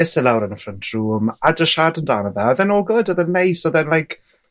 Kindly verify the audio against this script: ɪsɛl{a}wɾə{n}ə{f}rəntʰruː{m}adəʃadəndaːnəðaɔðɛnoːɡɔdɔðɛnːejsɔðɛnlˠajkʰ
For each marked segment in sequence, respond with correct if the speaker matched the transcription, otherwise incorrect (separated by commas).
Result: correct, correct, correct, correct